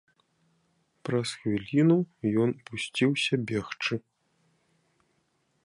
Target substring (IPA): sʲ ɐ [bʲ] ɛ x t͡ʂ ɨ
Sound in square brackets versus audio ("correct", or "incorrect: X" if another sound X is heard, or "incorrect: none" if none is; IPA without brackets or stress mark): correct